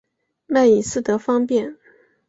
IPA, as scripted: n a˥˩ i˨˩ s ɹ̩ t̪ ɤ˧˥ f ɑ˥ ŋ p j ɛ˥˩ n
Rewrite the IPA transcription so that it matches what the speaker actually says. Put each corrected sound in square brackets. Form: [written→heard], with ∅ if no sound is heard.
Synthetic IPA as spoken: [n→m] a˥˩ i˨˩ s ɹ̩ t̪ ɤ˧˥ f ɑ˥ ŋ p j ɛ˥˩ n